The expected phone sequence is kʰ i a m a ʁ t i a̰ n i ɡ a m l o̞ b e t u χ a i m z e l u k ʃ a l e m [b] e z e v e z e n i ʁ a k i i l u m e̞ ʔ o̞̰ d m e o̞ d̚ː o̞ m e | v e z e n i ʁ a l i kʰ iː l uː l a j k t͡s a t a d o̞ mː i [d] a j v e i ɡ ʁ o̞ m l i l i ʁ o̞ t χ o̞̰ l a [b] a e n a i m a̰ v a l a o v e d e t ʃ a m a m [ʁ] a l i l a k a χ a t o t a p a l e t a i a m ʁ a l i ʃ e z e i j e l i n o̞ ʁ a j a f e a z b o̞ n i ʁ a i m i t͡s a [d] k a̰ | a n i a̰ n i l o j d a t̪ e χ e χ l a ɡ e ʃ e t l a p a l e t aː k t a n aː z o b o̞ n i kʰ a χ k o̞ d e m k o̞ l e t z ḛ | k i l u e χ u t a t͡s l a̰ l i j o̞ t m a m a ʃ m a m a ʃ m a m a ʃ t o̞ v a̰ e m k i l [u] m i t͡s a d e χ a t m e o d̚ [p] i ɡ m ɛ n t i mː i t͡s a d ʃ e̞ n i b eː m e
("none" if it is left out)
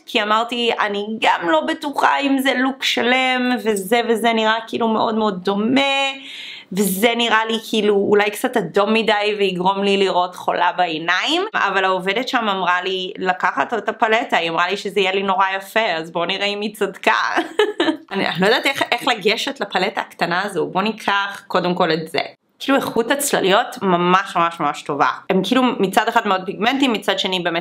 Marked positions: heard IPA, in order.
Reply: v, d, b, ʁ, d, u, p

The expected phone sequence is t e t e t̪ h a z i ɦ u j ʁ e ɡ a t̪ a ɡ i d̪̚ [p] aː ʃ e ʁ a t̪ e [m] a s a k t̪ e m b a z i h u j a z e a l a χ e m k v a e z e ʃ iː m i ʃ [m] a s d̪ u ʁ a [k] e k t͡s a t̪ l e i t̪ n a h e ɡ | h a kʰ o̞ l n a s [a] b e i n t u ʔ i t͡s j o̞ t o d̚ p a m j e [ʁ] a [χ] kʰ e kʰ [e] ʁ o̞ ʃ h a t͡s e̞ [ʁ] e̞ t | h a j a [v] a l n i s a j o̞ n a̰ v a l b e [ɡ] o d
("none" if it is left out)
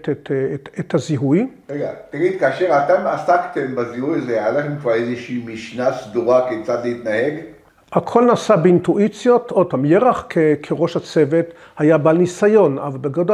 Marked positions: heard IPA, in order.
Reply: k, m, n, k, a, ʁ, χ, e, v, b, ɡ

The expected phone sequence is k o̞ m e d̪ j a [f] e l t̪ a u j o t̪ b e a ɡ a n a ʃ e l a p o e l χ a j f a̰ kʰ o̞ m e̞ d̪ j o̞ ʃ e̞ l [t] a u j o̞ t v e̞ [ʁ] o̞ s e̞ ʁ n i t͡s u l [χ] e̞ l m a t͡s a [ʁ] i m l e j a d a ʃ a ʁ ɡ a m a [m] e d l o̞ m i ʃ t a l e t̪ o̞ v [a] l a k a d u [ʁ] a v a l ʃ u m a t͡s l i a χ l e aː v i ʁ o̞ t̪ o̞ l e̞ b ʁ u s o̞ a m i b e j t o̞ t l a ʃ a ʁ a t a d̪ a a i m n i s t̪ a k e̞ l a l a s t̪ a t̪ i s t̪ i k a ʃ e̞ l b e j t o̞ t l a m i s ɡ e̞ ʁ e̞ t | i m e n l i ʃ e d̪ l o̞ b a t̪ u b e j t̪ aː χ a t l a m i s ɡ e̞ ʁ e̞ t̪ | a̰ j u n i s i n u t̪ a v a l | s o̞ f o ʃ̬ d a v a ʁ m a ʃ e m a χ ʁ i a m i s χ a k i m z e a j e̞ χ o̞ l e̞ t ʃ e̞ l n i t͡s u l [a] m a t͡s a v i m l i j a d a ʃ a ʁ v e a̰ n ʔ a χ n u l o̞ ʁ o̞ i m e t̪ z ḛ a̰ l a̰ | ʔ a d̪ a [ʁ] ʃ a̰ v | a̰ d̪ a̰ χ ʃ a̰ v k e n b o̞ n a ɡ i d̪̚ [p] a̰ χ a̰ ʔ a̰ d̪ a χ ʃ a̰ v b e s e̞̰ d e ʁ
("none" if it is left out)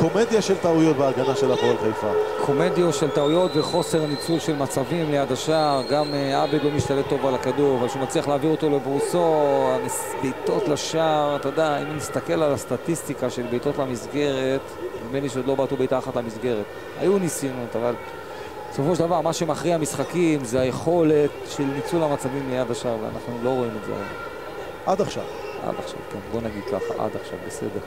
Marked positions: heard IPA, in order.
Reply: ʃ, t, χ, ʃ, v, b, a, ʁ, a, χ, k

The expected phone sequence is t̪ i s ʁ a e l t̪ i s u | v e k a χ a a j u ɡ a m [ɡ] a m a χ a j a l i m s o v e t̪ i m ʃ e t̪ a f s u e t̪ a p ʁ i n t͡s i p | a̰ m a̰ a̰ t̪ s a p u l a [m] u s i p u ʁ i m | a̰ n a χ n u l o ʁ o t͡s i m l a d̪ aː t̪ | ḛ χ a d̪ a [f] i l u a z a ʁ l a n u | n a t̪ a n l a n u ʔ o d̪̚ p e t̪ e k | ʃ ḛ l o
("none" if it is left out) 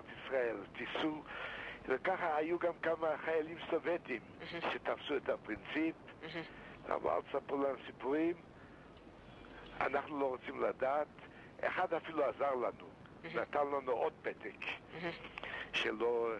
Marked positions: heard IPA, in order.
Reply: k, n, f

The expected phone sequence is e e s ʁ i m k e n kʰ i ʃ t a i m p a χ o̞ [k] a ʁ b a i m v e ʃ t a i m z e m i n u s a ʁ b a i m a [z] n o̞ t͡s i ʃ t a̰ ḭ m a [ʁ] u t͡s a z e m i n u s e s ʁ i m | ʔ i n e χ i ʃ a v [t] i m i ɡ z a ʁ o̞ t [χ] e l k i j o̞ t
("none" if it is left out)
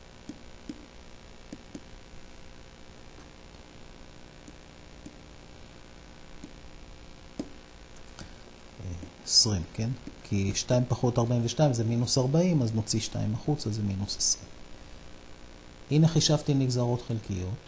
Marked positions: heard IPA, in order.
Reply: t, z, χ, t, χ

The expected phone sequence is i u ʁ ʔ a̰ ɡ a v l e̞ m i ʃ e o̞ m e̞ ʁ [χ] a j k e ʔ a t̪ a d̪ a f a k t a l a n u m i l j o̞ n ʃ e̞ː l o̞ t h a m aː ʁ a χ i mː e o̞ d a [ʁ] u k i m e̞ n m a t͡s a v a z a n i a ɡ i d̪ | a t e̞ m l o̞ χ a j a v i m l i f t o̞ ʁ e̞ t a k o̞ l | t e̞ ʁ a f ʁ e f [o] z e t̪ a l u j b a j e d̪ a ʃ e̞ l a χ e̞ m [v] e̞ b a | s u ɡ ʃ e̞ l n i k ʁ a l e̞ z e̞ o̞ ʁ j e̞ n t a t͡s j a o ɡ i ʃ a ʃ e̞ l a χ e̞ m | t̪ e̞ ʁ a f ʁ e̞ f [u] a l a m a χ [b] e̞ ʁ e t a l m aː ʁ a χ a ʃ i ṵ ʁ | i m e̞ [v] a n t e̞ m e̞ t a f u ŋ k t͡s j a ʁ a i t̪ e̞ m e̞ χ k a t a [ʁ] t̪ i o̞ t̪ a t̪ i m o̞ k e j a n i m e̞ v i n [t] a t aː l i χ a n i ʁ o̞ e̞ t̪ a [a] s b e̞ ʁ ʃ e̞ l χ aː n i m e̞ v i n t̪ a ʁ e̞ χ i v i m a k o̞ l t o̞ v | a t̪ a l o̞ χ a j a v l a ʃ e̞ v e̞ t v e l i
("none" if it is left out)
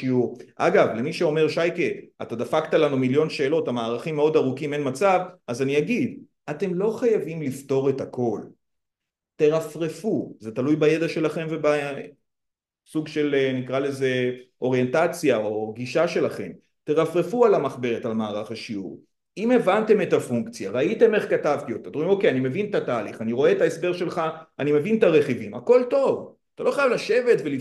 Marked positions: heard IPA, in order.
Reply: ʃ, ʁ, u, v, u, b, v, v, t, e

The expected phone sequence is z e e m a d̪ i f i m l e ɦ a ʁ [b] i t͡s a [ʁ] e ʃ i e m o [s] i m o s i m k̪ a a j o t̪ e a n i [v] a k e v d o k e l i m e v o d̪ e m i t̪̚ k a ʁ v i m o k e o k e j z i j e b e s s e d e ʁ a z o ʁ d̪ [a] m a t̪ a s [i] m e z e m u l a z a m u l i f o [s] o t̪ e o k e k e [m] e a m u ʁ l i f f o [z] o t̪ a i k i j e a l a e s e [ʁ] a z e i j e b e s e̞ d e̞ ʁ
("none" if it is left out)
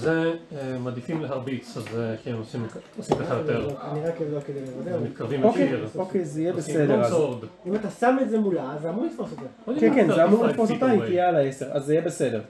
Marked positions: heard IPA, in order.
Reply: b, z, s, ʁ, i, a, s, n, s, ʁ

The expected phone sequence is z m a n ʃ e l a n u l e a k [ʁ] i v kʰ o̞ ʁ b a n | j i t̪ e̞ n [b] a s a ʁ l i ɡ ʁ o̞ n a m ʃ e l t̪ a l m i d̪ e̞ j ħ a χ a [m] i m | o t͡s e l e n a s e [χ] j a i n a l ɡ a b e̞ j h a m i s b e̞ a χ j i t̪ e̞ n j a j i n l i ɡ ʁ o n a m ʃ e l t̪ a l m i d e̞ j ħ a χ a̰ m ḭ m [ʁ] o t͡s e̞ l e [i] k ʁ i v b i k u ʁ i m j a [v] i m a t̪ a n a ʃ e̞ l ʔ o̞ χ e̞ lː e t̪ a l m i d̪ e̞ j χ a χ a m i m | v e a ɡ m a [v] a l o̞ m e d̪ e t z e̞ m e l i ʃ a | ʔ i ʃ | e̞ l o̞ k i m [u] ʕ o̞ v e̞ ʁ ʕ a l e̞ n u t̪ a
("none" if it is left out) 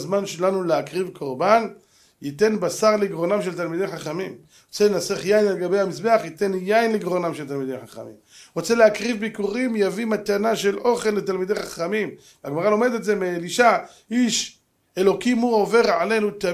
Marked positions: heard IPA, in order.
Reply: ʁ, b, m, χ, ʁ, a, v, ʁ, u

